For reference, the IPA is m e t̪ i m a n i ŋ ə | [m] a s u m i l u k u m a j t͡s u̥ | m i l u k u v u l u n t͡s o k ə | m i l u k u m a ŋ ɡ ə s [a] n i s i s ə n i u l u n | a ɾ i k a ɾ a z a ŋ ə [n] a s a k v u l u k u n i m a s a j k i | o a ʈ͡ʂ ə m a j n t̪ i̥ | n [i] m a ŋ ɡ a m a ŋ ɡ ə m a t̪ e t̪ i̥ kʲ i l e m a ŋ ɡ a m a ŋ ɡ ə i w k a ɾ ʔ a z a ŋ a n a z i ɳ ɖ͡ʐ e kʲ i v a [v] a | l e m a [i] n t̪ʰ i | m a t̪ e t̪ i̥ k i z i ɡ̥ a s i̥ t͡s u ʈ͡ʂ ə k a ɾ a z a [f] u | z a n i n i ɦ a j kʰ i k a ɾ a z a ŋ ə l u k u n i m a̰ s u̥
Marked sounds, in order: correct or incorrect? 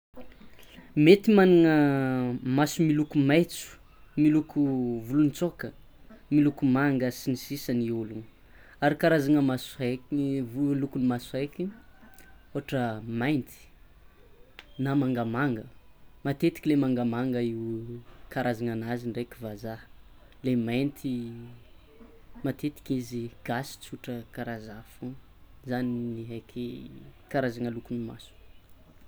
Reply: correct, incorrect: i, incorrect: m, incorrect: a, incorrect: z, incorrect: j, correct

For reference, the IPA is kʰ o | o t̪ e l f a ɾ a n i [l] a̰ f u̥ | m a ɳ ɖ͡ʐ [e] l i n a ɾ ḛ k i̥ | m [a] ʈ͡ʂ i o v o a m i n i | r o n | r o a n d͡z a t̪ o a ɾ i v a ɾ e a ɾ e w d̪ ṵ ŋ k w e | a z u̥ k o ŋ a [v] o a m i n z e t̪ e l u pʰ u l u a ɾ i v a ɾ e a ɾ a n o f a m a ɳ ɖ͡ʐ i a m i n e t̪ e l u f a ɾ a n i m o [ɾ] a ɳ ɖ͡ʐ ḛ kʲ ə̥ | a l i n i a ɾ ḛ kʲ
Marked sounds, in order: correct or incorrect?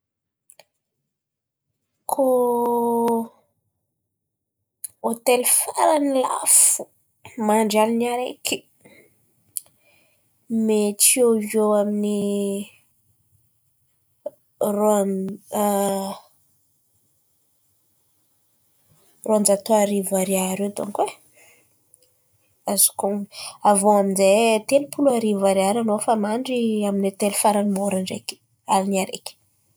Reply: correct, incorrect: a, incorrect: e, correct, correct

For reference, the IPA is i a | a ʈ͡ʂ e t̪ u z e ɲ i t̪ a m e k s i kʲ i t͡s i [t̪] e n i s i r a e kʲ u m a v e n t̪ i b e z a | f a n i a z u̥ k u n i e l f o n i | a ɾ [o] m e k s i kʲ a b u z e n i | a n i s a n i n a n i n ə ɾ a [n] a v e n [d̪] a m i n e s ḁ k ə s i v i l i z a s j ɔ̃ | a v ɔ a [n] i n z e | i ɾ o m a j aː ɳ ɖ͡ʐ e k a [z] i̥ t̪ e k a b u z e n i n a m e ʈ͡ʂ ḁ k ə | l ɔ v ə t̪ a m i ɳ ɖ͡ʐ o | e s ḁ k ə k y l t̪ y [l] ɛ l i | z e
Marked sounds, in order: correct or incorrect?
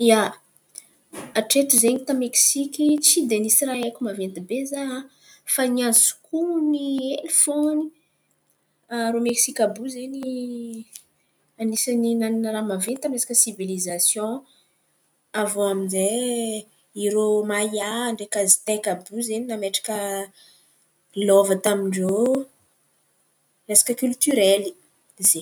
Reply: incorrect: d̪, correct, incorrect: m, incorrect: t̪, incorrect: m, correct, incorrect: ɾ

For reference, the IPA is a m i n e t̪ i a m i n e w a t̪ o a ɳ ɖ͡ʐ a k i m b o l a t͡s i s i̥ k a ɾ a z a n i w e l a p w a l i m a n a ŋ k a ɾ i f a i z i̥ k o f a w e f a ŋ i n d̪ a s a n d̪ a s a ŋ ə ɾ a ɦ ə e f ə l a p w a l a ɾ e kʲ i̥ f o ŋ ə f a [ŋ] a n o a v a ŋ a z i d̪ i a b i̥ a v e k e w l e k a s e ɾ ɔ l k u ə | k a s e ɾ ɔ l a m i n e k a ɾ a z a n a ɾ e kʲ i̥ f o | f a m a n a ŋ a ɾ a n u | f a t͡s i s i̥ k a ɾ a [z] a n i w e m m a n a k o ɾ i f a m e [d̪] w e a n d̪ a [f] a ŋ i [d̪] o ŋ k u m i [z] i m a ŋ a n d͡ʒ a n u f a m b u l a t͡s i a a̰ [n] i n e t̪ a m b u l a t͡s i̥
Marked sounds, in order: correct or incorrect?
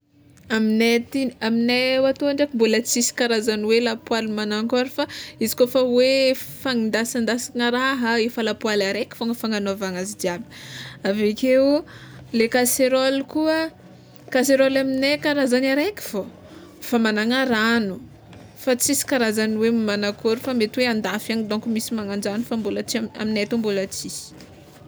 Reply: correct, correct, incorrect: t̪, correct, correct, incorrect: s, incorrect: m

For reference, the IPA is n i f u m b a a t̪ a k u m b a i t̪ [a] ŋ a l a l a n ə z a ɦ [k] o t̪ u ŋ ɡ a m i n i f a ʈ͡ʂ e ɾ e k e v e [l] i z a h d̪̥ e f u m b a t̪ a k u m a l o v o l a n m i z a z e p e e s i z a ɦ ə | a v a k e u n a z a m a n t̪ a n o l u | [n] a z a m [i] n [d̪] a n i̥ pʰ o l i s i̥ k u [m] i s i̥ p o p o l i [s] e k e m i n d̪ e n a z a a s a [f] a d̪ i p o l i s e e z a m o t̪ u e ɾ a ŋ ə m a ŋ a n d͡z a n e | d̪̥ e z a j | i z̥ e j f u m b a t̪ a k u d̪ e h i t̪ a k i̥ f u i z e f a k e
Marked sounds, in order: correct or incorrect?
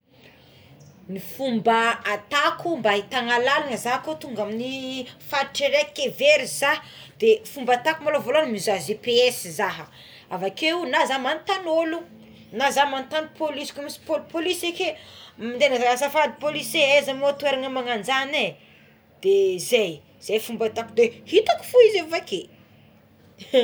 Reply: correct, correct, incorrect: ɾ, correct, incorrect: a, incorrect: t̪, correct, correct, correct

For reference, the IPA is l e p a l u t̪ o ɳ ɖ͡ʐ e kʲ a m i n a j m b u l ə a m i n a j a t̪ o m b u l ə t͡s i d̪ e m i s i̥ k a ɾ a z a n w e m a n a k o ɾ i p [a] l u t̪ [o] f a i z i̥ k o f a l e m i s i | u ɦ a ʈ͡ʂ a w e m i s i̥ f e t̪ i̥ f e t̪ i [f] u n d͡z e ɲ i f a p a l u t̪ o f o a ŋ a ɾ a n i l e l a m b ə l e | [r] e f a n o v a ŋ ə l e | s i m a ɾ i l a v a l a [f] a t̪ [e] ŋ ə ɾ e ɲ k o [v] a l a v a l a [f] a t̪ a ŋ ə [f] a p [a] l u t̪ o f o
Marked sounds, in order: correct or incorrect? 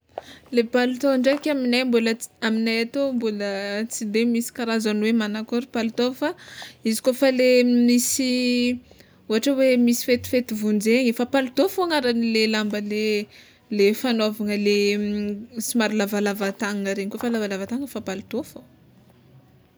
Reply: correct, correct, incorrect: v, incorrect: l, incorrect: v, incorrect: a, incorrect: f, incorrect: v, correct, correct

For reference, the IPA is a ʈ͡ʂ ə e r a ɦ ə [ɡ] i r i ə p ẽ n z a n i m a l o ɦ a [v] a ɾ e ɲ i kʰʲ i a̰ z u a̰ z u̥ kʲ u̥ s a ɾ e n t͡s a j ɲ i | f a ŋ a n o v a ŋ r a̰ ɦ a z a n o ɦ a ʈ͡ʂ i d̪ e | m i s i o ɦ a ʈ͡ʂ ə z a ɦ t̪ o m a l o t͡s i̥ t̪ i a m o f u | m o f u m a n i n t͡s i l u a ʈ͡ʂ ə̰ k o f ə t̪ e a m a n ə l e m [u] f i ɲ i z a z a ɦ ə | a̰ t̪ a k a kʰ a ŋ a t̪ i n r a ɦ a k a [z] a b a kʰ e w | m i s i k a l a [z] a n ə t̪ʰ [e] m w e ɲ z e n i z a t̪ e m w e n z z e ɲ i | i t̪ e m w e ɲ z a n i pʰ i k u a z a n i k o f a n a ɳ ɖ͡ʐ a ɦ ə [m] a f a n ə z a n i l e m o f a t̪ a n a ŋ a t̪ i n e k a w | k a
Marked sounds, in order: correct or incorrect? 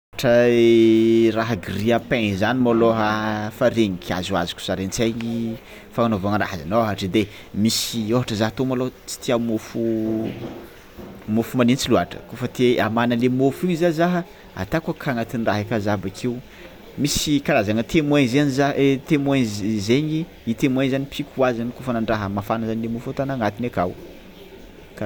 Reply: correct, incorrect: f, incorrect: o, correct, correct, correct, correct

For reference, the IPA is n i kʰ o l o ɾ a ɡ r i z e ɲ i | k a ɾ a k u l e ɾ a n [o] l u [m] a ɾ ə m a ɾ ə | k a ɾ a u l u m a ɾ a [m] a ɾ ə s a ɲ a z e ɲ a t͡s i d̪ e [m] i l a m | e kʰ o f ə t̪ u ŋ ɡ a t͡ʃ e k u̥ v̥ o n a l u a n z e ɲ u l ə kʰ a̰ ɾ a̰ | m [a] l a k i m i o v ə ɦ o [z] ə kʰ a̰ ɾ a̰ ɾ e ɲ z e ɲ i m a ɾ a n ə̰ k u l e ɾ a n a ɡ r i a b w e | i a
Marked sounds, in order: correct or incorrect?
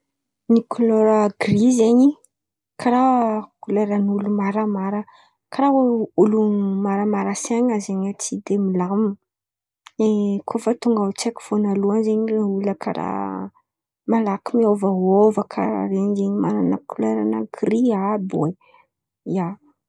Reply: incorrect: u, correct, correct, correct, correct, incorrect: v

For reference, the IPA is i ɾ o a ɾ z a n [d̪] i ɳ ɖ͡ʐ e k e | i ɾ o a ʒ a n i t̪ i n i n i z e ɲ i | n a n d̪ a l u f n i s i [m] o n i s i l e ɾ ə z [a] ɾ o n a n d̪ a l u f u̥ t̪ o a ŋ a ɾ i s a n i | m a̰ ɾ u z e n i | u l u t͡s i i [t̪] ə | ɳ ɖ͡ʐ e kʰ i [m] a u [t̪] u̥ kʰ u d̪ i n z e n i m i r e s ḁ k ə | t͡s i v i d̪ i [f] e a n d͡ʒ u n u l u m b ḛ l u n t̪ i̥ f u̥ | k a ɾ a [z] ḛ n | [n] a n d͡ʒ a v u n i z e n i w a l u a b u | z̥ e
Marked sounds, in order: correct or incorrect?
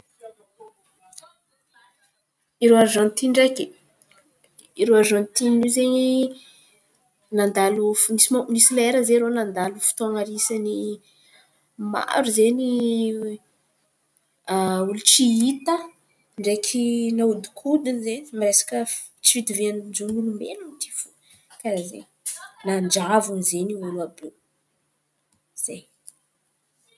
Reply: incorrect: t̪, correct, incorrect: e, correct, incorrect: n, incorrect: d̪, incorrect: v, correct, correct

